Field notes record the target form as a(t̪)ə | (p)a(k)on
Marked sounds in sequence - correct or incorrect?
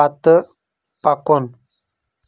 correct, correct, correct

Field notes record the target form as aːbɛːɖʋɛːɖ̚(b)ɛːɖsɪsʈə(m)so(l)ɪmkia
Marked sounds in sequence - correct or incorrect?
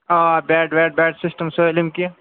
correct, correct, correct

